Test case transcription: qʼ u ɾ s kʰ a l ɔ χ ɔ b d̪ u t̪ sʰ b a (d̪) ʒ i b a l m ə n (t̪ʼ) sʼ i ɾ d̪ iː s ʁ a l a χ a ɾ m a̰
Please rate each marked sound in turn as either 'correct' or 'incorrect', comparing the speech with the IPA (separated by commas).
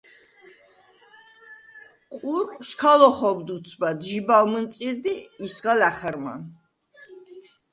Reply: correct, incorrect